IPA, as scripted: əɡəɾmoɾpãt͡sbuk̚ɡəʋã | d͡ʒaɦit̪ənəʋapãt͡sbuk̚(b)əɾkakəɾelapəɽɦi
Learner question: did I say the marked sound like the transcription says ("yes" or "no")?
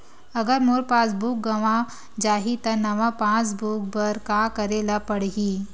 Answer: yes